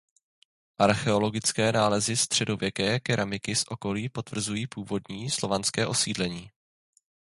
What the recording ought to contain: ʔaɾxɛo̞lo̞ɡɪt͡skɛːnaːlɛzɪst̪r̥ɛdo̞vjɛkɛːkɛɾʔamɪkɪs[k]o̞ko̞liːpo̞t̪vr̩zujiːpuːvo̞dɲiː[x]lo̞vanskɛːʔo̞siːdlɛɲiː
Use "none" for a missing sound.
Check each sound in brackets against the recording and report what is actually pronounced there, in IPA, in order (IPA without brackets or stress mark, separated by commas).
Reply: ʔ, s